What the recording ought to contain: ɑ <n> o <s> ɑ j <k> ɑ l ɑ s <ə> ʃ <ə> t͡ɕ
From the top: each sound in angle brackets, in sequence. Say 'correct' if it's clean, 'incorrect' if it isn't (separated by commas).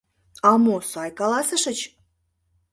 incorrect, correct, correct, correct, correct